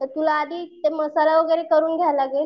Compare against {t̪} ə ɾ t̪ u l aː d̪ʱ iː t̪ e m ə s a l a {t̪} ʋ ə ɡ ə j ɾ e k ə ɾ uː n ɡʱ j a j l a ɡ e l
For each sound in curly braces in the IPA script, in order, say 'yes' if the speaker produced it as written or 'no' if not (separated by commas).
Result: yes, no